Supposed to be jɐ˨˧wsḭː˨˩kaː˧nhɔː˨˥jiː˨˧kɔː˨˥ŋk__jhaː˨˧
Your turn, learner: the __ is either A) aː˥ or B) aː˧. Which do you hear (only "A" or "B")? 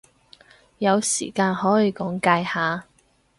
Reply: B